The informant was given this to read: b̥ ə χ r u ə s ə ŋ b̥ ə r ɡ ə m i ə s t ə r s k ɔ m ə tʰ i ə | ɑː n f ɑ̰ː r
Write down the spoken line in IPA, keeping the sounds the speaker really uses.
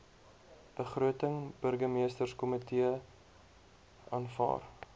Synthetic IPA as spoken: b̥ ə χ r u ə t ə ŋ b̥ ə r ɡ ə m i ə s t ə r s k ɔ m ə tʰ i ə | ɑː n f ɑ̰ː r